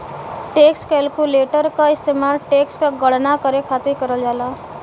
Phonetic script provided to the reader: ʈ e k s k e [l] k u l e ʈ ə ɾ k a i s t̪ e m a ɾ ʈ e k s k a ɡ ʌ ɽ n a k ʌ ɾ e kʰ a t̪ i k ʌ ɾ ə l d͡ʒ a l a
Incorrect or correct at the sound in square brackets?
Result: correct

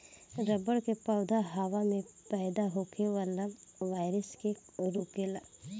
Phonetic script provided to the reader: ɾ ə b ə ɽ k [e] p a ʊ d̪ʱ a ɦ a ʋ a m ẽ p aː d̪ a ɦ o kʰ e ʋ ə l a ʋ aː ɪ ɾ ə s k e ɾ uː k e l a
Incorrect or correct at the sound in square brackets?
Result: correct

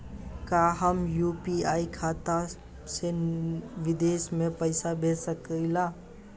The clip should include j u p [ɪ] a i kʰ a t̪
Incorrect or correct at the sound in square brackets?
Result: incorrect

